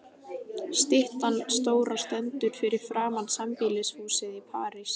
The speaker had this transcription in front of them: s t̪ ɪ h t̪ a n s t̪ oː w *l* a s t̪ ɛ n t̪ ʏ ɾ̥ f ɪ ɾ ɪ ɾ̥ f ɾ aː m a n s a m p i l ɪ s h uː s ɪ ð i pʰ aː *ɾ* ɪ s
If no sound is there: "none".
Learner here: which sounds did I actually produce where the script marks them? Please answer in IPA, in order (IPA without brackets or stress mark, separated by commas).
ɾ, ɾ